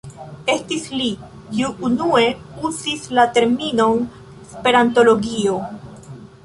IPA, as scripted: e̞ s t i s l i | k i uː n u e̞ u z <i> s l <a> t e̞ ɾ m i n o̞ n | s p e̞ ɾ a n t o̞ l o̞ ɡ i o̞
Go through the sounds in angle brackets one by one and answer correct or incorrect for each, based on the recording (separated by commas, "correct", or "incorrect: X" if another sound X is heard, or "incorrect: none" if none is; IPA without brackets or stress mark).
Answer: correct, correct